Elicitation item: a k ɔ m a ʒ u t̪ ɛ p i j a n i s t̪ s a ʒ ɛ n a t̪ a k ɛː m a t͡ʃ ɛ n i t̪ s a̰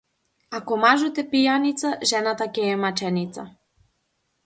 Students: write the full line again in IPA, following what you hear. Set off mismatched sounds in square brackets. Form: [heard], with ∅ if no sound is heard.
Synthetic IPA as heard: a k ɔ m a ʒ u t̪ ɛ p i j a n i [∅] t̪ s a ʒ ɛ n a t̪ a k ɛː m a t͡ʃ ɛ n i t̪ s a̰